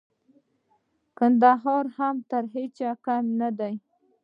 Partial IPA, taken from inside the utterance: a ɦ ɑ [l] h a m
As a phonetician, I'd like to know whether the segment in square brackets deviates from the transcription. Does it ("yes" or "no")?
yes